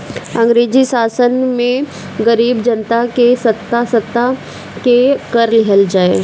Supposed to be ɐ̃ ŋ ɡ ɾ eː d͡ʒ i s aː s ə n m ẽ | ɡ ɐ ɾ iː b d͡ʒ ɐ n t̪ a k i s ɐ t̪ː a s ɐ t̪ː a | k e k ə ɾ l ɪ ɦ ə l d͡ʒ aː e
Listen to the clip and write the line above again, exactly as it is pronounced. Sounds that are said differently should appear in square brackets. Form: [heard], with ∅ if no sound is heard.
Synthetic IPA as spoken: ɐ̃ ŋ ɡ ɾ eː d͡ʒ i s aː s ə n m ẽ | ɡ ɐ ɾ iː b d͡ʒ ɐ n t̪ a k [e] s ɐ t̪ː a s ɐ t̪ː a | k e k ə ɾ l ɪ ɦ ə l d͡ʒ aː e